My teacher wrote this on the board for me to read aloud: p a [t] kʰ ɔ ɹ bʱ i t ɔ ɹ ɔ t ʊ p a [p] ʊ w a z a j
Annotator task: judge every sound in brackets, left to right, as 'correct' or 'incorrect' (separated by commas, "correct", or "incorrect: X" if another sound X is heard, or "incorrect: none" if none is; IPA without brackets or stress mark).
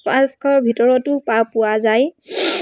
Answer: incorrect: s, correct